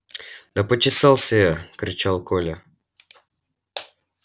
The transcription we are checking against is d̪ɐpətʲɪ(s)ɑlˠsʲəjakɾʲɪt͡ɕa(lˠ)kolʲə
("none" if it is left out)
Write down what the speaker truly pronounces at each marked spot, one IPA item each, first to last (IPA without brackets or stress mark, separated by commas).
s, lˠ